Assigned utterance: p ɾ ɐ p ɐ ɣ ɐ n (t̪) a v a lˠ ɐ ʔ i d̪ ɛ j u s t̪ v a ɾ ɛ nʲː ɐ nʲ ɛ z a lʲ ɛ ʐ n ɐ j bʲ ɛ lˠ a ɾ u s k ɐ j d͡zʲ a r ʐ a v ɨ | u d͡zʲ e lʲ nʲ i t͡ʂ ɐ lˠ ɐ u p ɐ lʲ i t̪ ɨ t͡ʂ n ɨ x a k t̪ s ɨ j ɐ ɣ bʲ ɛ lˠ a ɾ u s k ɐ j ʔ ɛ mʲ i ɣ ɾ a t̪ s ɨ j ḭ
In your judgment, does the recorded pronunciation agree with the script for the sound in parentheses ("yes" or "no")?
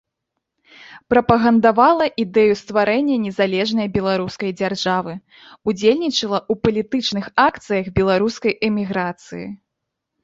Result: no